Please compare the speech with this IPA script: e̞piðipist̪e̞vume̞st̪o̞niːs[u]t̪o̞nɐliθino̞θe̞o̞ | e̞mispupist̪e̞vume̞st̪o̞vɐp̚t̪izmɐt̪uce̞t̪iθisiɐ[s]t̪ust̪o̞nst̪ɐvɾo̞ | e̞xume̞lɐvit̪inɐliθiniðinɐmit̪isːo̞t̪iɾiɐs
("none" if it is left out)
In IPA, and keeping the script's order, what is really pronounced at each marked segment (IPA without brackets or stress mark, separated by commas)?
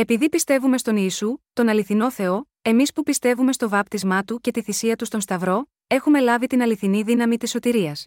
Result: u, none